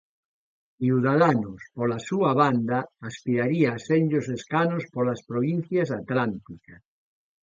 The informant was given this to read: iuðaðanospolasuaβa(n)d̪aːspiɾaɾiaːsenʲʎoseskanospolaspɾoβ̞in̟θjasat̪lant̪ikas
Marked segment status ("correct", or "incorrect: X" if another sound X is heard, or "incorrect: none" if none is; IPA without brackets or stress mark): correct